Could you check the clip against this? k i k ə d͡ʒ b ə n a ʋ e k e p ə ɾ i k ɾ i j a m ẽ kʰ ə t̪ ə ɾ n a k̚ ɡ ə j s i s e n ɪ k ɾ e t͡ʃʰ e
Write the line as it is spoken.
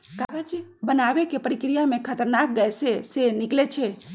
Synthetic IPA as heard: k a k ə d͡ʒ b ə n a ʋ e k e p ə ɾ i k ɾ i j a m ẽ kʰ ə t̪ ə ɾ n a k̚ ɡ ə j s e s e n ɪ k l e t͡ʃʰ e